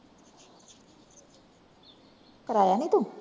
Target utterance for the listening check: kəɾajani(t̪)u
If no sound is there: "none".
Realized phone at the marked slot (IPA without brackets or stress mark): t̪